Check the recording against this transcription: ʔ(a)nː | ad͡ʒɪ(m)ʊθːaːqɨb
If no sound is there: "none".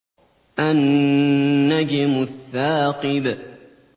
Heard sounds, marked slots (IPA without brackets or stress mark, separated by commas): a, m